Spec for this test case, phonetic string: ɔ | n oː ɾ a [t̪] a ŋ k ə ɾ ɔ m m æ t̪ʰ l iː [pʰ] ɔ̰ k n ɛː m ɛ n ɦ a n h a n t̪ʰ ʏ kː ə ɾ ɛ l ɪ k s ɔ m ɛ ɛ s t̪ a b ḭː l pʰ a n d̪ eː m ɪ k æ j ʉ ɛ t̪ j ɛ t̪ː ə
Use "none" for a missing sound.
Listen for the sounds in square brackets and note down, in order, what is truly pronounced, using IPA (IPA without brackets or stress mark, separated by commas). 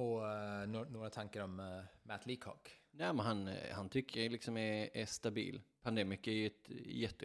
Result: t̪ʰ, kʰ